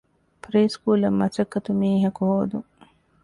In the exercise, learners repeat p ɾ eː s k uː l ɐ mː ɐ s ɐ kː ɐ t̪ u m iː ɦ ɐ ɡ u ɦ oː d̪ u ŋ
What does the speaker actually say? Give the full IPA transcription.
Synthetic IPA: p ɾ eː s k uː l ɐ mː ɐ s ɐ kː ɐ t̪ u m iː ɦ ɐ k u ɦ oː d̪ u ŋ